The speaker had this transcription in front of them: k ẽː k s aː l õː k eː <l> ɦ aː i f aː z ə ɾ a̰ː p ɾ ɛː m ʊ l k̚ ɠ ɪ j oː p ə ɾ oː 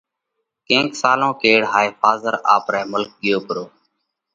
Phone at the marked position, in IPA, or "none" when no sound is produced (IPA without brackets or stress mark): ɽ